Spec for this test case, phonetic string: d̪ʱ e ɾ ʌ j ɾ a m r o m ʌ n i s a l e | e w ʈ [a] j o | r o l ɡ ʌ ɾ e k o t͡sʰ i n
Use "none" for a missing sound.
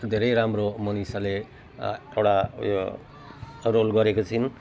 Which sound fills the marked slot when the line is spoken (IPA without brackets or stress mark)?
a